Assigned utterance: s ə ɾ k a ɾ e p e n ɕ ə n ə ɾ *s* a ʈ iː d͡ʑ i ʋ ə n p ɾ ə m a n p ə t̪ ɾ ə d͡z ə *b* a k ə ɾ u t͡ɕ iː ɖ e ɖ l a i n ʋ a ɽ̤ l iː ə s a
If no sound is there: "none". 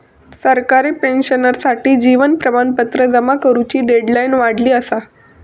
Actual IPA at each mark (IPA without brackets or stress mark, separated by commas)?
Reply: s, m